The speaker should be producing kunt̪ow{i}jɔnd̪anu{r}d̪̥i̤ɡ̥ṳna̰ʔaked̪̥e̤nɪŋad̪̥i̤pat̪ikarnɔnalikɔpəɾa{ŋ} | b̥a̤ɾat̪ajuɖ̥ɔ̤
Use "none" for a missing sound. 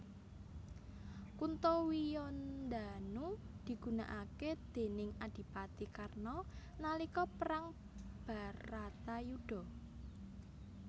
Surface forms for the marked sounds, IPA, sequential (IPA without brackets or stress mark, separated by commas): i, none, ŋ